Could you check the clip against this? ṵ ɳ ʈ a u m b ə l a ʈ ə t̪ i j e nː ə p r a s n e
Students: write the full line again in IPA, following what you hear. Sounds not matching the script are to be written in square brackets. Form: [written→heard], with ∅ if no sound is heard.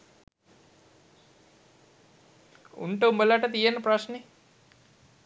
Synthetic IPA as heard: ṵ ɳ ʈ [a→ə] u m b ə l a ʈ ə t̪ i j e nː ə p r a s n e